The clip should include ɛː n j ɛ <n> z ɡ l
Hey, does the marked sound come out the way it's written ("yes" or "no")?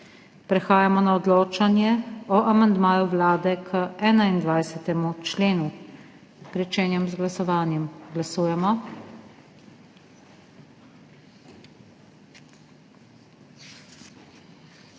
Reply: no